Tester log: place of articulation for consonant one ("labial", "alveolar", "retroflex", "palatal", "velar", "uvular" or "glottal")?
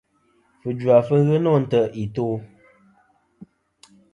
labial